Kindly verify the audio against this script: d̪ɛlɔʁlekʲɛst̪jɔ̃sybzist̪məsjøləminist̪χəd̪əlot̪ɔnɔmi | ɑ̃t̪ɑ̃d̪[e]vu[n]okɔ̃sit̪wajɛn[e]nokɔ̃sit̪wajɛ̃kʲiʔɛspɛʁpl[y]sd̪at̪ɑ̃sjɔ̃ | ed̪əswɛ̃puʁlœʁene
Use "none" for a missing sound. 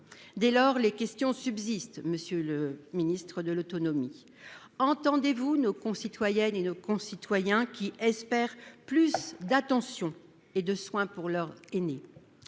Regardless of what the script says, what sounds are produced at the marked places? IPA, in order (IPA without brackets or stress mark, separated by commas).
e, n, e, y